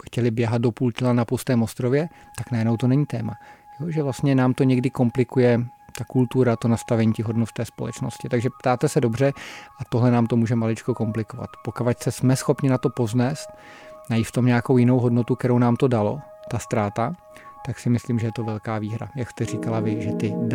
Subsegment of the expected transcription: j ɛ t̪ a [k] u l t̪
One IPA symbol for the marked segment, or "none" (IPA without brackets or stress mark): k